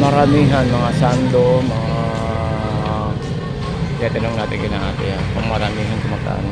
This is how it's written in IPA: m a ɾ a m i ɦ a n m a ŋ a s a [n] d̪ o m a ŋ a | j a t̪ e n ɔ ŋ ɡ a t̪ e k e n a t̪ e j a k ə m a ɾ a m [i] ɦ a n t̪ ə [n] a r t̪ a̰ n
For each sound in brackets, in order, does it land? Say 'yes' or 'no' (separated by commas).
yes, yes, no